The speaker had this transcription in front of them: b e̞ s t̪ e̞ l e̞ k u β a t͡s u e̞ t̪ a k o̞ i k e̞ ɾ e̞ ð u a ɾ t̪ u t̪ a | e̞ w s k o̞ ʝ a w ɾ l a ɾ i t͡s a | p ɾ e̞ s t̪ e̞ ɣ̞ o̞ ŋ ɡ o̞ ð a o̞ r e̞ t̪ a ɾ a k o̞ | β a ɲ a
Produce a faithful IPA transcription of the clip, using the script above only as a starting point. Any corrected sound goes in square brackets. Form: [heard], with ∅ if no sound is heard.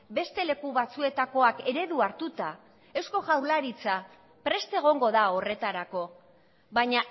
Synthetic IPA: b e̞ s t̪ e̞ l e̞ k u β a t͡s u e̞ t̪ a k o̞ [a] k e̞ ɾ e̞ ð u a ɾ t̪ u t̪ a | e̞ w s k o̞ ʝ a w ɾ l a ɾ i t͡s a | p ɾ e̞ s t̪ e̞ ɣ̞ o̞ ŋ ɡ o̞ ð a o̞ r e̞ t̪ a ɾ a k o̞ | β a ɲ a